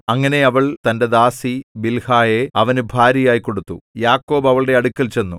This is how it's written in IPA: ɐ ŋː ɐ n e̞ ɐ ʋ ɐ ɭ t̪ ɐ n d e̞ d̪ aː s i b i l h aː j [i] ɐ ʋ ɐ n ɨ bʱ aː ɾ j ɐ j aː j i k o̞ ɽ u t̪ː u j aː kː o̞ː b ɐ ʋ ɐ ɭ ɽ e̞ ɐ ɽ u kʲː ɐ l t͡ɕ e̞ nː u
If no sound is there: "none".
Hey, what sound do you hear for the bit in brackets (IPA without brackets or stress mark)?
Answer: e